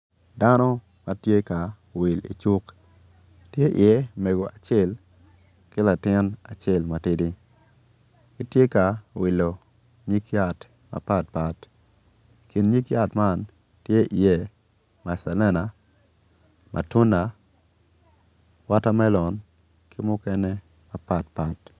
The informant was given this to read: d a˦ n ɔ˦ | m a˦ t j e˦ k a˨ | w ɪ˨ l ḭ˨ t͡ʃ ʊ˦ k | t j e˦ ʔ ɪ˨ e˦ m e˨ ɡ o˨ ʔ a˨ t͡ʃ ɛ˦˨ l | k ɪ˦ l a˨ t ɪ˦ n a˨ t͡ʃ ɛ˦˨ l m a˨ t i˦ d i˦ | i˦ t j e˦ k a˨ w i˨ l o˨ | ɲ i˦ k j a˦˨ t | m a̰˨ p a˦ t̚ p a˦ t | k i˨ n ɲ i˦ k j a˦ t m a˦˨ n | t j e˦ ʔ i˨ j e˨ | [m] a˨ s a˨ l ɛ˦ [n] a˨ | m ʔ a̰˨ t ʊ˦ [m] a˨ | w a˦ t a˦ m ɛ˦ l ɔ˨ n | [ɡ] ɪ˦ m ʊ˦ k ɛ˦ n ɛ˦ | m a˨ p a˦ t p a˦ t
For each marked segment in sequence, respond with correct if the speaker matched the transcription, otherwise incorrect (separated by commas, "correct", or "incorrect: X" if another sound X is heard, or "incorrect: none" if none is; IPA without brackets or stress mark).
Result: correct, correct, incorrect: n, incorrect: k